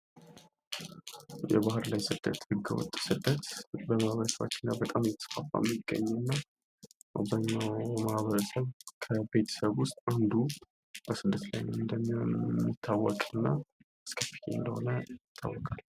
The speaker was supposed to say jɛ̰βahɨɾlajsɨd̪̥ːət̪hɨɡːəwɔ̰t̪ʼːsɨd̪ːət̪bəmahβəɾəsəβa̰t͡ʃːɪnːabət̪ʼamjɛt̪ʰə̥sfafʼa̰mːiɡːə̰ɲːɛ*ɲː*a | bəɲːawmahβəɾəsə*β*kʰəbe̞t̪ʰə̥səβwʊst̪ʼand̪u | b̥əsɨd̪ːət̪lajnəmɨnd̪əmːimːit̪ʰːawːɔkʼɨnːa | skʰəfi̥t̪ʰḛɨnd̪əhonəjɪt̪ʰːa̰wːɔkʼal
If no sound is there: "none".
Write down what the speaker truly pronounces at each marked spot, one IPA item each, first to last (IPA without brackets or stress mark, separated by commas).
nː, β